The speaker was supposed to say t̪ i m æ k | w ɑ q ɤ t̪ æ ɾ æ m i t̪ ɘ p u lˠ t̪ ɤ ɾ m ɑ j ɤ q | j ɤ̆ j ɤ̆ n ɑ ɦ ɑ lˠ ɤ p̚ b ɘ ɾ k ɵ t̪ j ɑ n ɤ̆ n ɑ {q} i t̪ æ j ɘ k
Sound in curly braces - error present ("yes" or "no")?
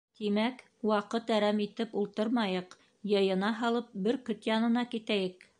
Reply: yes